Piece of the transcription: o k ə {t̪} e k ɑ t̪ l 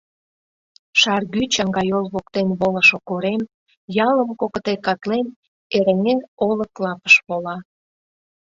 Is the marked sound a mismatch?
no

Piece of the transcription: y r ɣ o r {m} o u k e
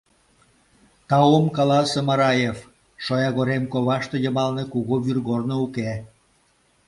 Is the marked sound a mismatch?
yes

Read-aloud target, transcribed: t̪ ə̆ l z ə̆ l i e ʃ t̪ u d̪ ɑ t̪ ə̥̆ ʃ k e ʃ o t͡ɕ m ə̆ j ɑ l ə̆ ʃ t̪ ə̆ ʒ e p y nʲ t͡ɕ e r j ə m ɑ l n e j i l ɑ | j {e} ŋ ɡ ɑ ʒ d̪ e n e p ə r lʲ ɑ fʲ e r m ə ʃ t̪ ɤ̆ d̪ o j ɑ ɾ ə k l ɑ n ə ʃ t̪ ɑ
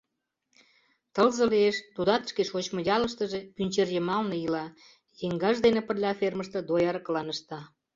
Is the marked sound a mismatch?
no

